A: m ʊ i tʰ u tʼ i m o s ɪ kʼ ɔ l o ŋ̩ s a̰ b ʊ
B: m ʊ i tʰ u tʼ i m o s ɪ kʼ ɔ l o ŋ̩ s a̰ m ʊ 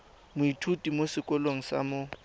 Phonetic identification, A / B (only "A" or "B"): B